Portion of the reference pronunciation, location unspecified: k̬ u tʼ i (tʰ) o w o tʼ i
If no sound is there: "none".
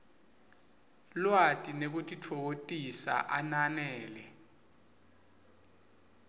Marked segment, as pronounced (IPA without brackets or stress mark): tʰ